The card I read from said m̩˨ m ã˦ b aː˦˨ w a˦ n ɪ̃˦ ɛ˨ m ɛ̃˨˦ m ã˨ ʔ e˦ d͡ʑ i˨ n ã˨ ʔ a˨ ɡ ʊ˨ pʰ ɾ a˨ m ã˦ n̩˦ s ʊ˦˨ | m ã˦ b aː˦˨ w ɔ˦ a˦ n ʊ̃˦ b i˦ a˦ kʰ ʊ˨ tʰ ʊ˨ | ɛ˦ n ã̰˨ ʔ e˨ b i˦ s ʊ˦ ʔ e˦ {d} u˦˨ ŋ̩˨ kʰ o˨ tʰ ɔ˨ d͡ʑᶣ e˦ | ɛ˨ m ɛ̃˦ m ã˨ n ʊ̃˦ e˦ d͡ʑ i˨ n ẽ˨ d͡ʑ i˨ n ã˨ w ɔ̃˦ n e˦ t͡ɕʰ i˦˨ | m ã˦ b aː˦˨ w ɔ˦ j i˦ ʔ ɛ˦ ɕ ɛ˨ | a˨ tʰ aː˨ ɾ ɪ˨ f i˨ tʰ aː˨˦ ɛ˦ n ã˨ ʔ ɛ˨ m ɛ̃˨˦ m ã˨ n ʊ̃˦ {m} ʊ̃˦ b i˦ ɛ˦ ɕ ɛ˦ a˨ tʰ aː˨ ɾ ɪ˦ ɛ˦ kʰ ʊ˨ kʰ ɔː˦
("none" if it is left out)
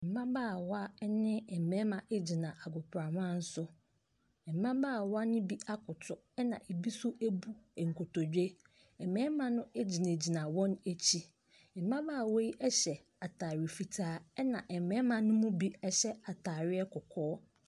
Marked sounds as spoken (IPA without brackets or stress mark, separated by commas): b, m